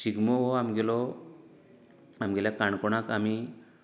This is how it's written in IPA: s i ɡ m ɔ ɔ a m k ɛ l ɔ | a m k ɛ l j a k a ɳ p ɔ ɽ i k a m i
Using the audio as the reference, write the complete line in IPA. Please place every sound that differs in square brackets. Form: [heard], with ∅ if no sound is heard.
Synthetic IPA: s i ɡ m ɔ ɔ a m [ɡ] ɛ l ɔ | a m [ɡ] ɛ l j a k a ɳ [k] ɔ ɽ [a] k a m i